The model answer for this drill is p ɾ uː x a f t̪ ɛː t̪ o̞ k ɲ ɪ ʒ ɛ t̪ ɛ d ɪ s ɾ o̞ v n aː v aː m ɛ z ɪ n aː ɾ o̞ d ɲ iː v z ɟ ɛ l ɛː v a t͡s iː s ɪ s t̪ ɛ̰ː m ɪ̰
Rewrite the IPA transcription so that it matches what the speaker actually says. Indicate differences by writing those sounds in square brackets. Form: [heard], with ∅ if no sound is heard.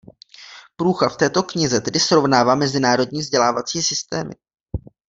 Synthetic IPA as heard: p ɾ uː x a f t̪ ɛː t̪ o̞ k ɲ ɪ [z] ɛ t̪ ɛ d ɪ s ɾ o̞ v n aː v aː m ɛ z ɪ n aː ɾ o̞ d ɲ iː v z ɟ ɛ l [aː] v a t͡s iː s ɪ s t̪ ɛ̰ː m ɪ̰